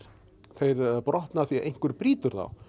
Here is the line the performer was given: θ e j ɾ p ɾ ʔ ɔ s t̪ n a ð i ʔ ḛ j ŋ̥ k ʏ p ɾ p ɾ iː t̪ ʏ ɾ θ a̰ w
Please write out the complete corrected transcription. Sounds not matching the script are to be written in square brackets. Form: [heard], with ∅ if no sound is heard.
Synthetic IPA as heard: θ e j ɾ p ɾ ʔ ɔ [h] t̪ n a [θ] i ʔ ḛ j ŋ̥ k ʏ [∅] ɾ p ɾ iː t̪ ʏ ɾ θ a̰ w